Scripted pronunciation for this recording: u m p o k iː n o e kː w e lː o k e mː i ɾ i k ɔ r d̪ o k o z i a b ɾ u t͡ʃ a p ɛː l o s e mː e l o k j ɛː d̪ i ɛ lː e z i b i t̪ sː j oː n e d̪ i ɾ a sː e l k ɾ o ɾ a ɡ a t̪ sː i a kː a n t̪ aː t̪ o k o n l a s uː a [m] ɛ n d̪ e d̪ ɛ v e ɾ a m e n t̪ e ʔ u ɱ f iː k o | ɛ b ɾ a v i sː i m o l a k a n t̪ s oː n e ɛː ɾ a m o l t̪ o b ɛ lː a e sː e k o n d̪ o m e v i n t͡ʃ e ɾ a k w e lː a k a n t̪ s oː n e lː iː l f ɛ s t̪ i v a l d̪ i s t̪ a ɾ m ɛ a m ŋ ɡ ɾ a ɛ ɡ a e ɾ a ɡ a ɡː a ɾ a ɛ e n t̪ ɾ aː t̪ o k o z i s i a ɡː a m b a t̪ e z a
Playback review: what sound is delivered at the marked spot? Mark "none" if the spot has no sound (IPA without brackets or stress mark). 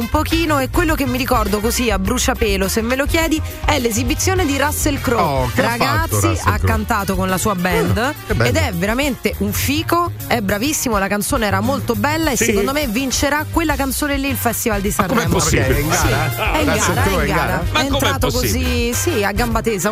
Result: b